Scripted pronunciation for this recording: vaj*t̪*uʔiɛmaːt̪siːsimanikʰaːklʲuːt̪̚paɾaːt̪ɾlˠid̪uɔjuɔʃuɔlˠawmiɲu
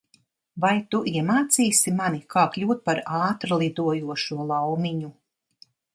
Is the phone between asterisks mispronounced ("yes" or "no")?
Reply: no